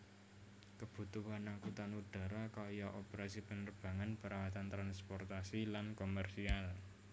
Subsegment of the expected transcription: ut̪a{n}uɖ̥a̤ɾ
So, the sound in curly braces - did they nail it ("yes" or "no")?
yes